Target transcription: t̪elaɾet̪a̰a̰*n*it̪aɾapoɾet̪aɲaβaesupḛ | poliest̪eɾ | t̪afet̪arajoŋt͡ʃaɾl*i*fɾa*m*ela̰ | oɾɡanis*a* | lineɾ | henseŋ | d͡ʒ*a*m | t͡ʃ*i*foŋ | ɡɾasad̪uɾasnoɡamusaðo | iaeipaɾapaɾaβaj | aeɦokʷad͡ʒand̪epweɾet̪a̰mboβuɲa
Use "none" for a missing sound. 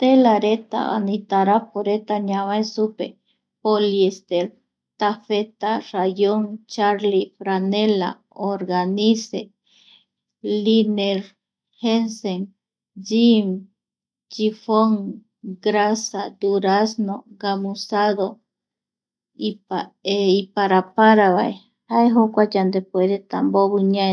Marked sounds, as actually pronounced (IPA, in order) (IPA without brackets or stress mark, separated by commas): n, i, n, e, i, i